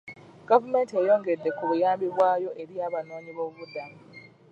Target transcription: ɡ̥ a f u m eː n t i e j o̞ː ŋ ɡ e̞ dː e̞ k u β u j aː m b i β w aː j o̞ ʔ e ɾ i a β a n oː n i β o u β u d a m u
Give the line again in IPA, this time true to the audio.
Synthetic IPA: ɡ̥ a v u m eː n t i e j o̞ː ŋ ɡ e̞ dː e̞ k u β u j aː m b i β w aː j o̞ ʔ e ɾ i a β a n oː ɲ i β o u β u d a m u